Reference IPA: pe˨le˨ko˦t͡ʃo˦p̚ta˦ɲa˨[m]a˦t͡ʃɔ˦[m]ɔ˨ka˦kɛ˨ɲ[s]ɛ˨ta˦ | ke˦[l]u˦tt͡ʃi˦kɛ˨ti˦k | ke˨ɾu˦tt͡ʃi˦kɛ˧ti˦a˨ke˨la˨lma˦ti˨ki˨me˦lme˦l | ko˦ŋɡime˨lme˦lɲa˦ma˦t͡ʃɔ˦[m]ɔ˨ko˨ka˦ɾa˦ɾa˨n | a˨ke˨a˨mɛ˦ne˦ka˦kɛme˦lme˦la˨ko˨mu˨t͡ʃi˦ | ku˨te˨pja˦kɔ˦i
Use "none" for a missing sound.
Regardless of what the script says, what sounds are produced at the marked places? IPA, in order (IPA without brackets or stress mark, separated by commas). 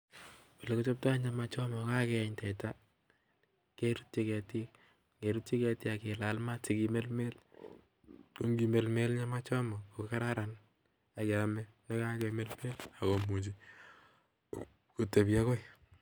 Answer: m, m, t, ɾ, m